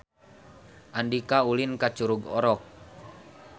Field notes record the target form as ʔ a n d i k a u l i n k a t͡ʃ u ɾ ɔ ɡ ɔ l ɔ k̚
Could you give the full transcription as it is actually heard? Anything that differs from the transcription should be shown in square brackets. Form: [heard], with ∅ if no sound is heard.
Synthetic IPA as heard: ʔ a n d i k a u l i n k a t͡ʃ u ɾ [u] ɡ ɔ [ɾ] ɔ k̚